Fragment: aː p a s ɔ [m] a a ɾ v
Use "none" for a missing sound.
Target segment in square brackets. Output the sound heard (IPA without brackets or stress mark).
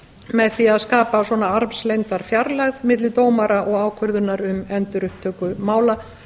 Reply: n